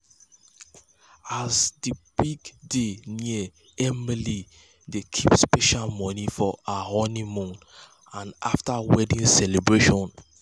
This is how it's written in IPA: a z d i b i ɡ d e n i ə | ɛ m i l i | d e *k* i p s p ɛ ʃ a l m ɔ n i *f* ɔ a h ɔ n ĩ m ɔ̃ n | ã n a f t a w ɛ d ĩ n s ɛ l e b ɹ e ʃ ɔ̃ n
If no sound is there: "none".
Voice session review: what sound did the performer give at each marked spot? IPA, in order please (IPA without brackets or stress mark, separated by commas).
kʰ, f